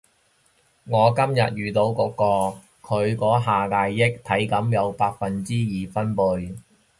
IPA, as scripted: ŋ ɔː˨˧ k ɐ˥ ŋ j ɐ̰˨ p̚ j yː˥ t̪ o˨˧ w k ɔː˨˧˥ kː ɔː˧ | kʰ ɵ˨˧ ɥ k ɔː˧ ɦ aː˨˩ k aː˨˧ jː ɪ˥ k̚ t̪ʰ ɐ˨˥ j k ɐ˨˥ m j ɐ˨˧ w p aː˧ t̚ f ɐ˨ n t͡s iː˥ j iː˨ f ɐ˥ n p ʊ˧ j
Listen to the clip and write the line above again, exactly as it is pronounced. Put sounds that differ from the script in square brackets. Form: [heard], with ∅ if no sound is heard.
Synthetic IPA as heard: ŋ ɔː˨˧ k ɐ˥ [m] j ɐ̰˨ [t̚] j [yː˨] t̪ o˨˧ w k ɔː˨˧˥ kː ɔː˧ | kʰ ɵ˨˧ ɥ k [ɔː˨˥] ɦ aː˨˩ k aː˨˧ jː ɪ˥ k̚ t̪ʰ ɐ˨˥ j k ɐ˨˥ m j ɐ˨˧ w p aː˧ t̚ f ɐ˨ n t͡s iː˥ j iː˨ f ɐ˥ n p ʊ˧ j

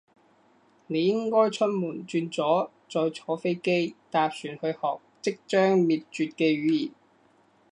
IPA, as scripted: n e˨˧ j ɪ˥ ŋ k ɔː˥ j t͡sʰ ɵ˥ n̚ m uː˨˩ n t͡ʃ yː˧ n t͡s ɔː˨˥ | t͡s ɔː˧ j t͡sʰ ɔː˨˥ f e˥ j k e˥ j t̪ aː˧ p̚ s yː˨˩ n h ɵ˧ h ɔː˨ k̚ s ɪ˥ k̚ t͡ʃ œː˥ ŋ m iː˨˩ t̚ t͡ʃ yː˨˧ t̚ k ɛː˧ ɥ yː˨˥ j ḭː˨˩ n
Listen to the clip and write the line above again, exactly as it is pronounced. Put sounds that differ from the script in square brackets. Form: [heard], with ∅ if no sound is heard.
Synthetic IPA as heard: n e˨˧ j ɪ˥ ŋ k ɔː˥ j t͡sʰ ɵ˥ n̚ m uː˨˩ n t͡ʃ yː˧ n t͡s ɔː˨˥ | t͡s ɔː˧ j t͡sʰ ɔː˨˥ f e˥ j k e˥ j t̪ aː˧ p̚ s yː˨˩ n h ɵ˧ h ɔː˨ k̚ [t͡s] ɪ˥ k̚ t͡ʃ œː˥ ŋ m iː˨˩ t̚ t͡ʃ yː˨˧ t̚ k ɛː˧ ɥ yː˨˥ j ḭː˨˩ n

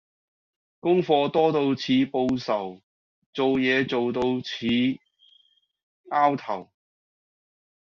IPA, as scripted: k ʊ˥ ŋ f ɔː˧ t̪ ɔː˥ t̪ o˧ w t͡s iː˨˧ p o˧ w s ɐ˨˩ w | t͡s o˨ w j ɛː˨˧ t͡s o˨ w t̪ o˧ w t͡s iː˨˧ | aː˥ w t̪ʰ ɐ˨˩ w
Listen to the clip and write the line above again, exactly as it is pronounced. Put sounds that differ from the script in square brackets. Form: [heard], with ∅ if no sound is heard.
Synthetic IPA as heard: k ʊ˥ ŋ f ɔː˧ t̪ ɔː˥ t̪ o˧ w [t͡sʰ] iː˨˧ p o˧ w s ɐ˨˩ w | t͡s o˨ w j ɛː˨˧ t͡s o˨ w t̪ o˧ w [t͡sʰ] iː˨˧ | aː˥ w t̪ʰ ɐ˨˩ w

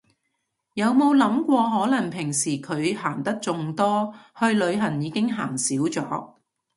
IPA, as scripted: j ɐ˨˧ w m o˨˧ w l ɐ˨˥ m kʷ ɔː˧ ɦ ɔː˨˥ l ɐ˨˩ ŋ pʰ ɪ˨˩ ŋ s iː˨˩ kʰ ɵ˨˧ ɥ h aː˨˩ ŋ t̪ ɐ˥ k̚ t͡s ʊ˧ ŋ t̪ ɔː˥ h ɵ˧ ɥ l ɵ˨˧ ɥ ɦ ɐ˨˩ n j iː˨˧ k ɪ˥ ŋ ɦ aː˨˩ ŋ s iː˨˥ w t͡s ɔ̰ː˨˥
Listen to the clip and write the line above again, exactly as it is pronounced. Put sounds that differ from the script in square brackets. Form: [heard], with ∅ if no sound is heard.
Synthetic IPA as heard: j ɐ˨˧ w m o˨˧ w l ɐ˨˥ m kʷ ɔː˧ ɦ ɔː˨˥ l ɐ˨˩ ŋ pʰ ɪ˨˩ ŋ s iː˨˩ kʰ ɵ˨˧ ɥ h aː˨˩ ŋ t̪ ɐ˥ k̚ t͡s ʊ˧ ŋ t̪ ɔː˥ h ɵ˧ ɥ l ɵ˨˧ ɥ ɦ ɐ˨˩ n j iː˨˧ k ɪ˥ ŋ ɦ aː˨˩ ŋ s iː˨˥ w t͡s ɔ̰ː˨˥

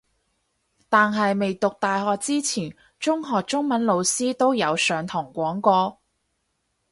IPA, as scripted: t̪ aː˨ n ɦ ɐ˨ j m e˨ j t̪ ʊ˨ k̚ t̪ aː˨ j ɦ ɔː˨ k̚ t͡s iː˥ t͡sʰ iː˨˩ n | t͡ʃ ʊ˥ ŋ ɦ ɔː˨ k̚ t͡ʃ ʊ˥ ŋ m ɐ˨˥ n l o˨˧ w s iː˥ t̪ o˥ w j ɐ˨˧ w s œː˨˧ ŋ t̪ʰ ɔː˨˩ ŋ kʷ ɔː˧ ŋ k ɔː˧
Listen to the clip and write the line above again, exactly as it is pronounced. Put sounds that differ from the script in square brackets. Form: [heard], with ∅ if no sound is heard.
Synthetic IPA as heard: t̪ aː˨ n ɦ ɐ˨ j m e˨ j t̪ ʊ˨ k̚ t̪ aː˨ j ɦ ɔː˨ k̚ t͡s iː˥ t͡sʰ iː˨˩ n | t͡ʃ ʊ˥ ŋ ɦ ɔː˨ k̚ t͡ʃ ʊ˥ ŋ m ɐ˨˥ n l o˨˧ w s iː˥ t̪ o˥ w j ɐ˨˧ w s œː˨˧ ŋ t̪ʰ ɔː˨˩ ŋ kʷ [ɔː˨˥] ŋ k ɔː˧

